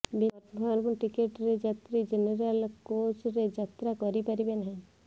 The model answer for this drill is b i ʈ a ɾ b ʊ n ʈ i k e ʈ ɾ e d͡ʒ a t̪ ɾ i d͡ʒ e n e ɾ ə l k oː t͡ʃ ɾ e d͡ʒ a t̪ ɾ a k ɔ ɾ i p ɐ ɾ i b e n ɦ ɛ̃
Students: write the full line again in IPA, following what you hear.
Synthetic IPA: b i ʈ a ɾ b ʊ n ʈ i k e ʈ ɾ e d͡ʒ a t̪ ɾ i d͡ʒ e n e ɾ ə l k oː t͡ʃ ɾ e d͡ʒ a t̪ ɾ a k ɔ ɾ i p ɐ ɾ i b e n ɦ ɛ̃